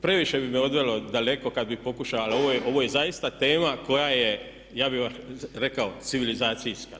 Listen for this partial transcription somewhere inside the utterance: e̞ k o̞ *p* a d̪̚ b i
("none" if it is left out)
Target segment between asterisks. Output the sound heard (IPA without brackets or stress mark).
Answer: k